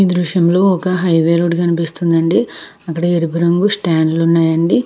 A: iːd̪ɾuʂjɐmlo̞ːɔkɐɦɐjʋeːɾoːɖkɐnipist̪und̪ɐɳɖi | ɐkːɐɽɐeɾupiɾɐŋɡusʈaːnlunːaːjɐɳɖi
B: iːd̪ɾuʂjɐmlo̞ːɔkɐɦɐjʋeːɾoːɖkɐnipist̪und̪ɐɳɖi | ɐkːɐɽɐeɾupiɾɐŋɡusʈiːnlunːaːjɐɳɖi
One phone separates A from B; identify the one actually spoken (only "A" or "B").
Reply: A